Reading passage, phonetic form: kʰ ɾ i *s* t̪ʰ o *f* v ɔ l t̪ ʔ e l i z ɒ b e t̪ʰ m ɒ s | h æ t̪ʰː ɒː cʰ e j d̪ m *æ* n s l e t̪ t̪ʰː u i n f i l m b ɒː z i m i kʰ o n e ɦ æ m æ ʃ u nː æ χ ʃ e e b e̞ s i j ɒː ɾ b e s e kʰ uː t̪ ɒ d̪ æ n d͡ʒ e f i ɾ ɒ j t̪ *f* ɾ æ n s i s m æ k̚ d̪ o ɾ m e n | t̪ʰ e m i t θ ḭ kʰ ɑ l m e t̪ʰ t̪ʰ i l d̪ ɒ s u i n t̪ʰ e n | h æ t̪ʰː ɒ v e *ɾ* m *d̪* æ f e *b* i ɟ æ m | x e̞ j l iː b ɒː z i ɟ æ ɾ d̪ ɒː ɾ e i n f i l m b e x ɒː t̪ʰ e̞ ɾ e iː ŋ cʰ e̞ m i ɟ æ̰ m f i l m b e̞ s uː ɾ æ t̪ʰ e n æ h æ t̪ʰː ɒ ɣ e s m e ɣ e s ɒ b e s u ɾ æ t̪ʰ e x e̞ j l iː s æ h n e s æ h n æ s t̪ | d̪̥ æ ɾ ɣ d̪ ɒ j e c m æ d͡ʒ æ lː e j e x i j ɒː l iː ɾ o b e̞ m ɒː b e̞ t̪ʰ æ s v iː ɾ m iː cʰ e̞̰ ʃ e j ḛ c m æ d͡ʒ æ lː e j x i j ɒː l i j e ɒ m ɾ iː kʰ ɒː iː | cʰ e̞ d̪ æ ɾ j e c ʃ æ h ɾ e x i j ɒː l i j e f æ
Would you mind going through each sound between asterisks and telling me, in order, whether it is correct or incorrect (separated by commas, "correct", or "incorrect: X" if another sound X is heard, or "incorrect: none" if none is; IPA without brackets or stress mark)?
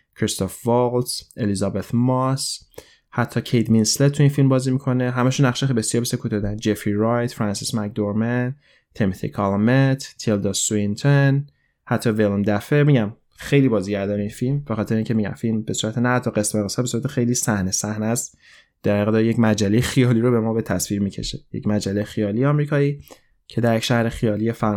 correct, correct, incorrect: i, correct, incorrect: l, correct, incorrect: m